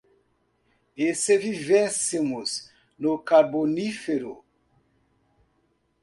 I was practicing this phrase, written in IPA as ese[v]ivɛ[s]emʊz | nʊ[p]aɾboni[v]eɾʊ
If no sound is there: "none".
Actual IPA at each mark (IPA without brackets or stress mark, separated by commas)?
v, s, k, f